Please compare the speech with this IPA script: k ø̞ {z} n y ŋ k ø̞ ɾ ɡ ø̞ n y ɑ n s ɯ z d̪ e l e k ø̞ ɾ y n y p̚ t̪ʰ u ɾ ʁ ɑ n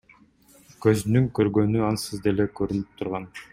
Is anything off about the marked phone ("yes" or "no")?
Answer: no